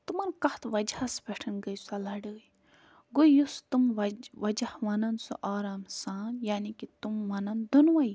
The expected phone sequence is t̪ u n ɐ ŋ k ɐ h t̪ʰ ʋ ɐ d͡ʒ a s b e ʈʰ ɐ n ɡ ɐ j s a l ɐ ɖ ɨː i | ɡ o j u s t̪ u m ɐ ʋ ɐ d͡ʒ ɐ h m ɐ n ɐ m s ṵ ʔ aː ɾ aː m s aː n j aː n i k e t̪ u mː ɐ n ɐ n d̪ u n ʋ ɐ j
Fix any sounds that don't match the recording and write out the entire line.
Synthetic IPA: t̪ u m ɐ n k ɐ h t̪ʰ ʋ ɐ d͡ʒ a s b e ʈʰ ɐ n ɡ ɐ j s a l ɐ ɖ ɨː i | ɡ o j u s t̪ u m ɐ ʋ ɐ d͡ʒ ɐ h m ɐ n ɐ n s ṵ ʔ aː ɾ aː m s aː n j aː n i k i t̪ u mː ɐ n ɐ n d̪ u n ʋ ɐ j